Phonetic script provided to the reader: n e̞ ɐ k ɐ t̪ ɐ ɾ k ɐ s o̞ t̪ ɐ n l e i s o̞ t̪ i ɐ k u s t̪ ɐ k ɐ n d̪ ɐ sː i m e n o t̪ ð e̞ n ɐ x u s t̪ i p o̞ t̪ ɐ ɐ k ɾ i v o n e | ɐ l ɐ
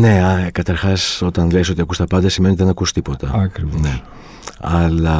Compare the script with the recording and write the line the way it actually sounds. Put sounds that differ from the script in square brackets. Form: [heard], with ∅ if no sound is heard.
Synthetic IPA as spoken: n e̞ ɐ k ɐ t̪ ɐ ɾ [x] ɐ s o̞ t̪ ɐ n l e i s o̞ t̪ i ɐ k u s t̪ ɐ [p] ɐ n d̪ ɐ [s] i m e n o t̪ ð e̞ n ɐ [k] u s t̪ i p o̞ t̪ ɐ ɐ k ɾ i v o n e | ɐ l ɐ